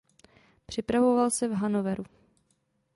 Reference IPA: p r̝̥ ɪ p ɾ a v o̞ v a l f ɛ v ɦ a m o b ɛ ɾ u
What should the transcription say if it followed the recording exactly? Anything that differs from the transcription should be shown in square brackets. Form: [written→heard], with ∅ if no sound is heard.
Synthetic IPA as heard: p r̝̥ ɪ p ɾ a v o̞ v a l [f→s] ɛ v ɦ a [m→n] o [b→v] ɛ ɾ u